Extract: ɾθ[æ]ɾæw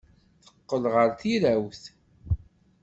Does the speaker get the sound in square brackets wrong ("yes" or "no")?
yes